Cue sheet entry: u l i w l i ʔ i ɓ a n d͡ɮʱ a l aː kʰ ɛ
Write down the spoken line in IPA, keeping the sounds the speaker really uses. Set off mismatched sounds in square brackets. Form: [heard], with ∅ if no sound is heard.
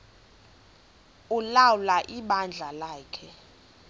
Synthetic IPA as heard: u l [a] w l [a] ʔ i ɓ a n d͡ɮʱ a l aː kʰ ɛ